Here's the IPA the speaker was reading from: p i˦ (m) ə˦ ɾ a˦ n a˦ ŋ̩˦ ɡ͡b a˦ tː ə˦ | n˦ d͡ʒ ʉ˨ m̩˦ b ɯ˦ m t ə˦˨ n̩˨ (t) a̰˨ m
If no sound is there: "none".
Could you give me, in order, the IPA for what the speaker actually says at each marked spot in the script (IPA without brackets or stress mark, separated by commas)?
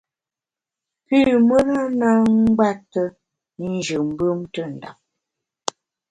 m, d